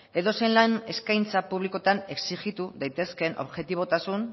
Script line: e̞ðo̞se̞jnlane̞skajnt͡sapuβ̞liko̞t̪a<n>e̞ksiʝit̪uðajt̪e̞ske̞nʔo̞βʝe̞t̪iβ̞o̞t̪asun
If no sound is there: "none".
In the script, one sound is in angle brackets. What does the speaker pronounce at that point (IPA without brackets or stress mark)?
n